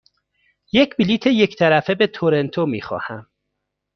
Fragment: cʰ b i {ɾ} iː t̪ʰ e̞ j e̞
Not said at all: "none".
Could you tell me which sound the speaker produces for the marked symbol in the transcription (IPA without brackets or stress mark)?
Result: l